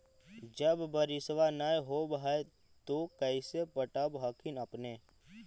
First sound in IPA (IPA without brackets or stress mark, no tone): d͡ʒ